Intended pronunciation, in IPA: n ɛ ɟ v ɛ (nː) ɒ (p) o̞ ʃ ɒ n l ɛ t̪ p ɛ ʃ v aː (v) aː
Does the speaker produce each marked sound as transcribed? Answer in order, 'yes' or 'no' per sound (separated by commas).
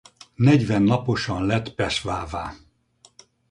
yes, yes, yes